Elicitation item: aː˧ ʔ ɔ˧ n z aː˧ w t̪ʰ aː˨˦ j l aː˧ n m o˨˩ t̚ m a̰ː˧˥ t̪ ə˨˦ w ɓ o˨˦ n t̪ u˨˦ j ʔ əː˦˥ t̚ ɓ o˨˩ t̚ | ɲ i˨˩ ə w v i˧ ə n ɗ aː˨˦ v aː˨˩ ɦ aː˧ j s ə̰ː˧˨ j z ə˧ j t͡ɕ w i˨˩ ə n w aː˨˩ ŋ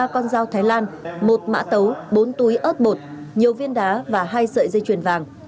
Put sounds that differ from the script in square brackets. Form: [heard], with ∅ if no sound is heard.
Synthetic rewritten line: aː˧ [k] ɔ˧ n z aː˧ w t̪ʰ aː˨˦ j l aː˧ n m o˨˩ t̚ m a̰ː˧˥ t̪ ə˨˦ w ɓ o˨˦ n t̪ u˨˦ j ʔ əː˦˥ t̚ ɓ o˨˩ t̚ | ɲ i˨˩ ə w v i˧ ə n ɗ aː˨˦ v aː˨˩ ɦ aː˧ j s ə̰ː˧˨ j z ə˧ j t͡ɕ w i˨˩ ə n [v] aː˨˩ ŋ